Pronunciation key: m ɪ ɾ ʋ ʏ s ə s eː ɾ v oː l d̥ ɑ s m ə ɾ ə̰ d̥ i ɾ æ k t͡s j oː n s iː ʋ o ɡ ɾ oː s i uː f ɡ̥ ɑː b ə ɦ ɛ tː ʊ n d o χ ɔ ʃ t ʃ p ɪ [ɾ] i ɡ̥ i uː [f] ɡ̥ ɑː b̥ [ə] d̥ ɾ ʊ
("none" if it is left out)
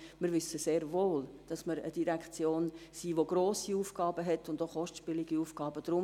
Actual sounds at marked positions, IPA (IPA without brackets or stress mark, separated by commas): l, f, ə